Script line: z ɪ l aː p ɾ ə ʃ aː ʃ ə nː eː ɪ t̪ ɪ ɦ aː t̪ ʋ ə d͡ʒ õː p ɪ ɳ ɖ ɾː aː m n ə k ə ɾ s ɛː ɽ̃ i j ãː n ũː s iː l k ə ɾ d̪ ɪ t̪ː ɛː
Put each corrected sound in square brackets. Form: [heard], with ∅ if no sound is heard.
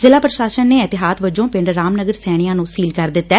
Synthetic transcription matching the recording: z ɪ l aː p ɾ ə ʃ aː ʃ ə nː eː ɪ t̪ ɪ ɦ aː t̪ ʋ ə d͡ʒ õː p ɪ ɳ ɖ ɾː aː m n ə [ɡ] ə ɾ s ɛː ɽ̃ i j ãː n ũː s iː l k ə ɾ d̪ ɪ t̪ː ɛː